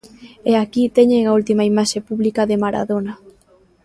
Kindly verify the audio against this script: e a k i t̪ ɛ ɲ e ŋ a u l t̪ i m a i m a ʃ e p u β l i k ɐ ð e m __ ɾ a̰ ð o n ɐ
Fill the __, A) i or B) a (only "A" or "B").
B